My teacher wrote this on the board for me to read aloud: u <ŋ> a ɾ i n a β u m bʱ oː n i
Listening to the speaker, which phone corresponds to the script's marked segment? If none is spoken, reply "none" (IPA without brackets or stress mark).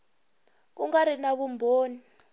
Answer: ŋ